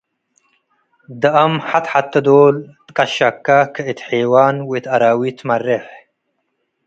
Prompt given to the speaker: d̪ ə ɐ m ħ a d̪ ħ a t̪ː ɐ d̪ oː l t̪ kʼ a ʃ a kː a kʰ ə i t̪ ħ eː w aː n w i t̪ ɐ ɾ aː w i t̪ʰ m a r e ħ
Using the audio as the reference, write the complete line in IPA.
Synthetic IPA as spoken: d̪ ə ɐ m ħ a t̪ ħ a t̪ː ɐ d̪ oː l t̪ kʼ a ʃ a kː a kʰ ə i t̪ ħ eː w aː n w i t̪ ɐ ɾ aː w i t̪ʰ m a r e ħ